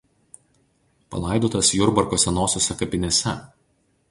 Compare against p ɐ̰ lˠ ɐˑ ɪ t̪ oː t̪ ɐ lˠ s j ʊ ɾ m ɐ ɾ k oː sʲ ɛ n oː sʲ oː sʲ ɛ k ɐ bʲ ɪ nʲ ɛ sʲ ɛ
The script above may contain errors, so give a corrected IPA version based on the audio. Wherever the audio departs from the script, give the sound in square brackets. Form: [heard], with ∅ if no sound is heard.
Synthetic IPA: p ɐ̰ lˠ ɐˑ ɪ [d̪] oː t̪ ɐ [∅] s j ʊ ɾ [b] ɐ ɾ k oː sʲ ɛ n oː sʲ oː sʲ ɛ k ɐ [pʲ] ɪ nʲ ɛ sʲ ɛ